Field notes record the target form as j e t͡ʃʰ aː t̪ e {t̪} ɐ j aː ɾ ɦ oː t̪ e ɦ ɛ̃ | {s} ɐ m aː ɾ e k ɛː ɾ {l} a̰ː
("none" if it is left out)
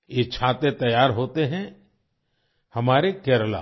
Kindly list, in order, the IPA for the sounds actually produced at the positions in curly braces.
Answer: t̪, h, l

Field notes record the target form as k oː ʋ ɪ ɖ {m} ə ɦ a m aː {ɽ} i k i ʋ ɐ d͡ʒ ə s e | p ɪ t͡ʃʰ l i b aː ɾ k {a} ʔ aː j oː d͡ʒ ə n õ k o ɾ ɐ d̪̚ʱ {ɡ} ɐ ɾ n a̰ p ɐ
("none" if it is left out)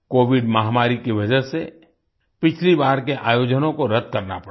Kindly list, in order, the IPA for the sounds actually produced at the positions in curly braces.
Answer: m, ɾ, e, k

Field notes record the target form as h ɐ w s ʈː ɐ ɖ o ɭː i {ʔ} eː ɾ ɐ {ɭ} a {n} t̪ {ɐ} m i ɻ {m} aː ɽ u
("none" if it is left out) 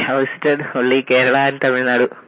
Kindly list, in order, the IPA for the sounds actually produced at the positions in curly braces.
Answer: k, ɭ, n, ɐ, n

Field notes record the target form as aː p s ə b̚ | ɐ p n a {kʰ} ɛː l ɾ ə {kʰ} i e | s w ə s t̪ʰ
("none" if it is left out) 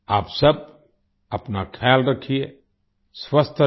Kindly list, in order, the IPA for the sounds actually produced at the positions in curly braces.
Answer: kʰ, kʰ

